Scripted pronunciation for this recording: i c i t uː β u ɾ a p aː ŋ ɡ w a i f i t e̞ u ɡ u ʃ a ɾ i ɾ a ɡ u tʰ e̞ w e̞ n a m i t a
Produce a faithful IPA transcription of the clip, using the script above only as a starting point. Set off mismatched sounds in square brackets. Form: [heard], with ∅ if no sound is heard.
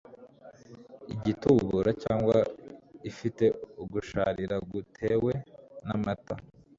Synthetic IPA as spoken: i [ɟ] i t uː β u ɾ a [c] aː ŋ ɡ w a i f i t e̞ u ɡ u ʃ a ɾ i ɾ a ɡ u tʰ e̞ w e̞ n a m [a] t a